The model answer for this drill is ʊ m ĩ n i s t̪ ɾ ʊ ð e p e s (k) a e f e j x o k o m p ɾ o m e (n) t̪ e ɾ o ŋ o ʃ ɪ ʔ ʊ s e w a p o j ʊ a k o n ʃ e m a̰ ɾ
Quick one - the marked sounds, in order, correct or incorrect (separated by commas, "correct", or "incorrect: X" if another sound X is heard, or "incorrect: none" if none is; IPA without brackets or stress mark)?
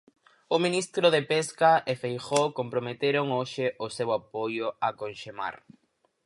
correct, incorrect: none